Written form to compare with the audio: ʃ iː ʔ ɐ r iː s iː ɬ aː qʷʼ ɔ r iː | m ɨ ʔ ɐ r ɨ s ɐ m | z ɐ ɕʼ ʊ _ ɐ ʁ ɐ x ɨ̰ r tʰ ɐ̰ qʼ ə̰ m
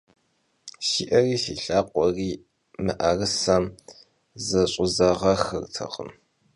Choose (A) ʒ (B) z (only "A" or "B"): B